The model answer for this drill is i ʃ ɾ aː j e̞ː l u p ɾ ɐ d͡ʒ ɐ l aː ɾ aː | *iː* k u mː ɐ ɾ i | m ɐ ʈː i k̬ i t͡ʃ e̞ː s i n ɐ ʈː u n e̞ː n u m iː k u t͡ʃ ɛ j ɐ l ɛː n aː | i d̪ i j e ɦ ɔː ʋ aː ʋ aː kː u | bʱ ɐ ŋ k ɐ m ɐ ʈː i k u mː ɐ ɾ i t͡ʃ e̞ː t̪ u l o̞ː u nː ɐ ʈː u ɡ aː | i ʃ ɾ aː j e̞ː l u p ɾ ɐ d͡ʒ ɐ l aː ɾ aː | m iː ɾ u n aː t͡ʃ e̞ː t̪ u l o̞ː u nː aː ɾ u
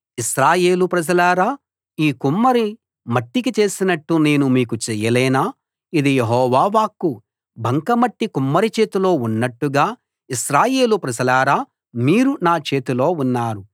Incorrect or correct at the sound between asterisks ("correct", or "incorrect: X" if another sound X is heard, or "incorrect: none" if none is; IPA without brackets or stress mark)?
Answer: correct